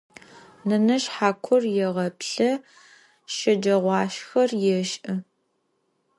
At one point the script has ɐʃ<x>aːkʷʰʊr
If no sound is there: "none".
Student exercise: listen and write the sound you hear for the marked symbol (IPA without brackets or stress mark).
ħ